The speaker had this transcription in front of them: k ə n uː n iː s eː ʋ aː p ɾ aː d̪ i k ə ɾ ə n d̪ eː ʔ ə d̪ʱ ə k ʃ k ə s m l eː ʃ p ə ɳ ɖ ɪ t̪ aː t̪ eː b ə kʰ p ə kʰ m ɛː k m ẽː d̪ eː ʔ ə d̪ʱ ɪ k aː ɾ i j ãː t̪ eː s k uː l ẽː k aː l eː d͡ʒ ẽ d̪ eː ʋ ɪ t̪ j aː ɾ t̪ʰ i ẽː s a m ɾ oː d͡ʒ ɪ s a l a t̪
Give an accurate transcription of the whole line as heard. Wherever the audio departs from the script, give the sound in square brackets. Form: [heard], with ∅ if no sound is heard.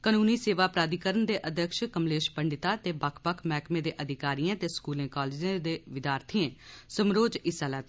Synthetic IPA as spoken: k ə n uː n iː s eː ʋ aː p ɾ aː d̪ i k ə ɾ ə n d̪ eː ʔ ə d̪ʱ ə k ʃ k ə [∅] m l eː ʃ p ə ɳ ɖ ɪ t̪ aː t̪ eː b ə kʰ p ə kʰ m ɛː k m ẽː d̪ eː ʔ ə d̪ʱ ɪ k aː ɾ i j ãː t̪ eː s k uː l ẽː k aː l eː d͡ʒ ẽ d̪ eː ʋ ɪ [d̪] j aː ɾ t̪ʰ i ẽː s [ə] m ɾ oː d͡ʒ ɪ s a l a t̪